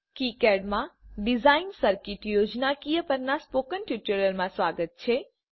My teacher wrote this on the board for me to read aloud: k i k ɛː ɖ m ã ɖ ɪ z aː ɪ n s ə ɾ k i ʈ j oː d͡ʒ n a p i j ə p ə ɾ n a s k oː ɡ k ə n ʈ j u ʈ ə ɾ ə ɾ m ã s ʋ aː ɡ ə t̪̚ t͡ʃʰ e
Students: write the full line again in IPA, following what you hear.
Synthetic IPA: k i k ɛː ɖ m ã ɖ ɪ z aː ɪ n s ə ɾ k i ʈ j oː d͡ʒ n a k i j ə p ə ɾ n a s p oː k ə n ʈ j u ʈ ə ɾ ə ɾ m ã s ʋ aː ɡ ə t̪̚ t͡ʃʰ e